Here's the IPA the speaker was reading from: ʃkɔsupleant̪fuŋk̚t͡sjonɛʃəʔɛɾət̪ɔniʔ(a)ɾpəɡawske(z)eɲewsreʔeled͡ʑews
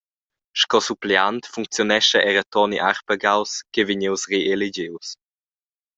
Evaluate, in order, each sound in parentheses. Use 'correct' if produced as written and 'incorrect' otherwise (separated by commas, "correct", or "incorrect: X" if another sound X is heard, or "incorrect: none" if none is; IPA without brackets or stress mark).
correct, incorrect: v